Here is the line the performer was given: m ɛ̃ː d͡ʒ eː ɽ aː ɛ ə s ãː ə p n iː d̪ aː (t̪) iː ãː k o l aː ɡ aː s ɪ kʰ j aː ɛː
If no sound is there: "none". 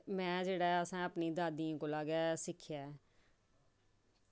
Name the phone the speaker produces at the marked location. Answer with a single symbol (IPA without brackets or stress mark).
d̪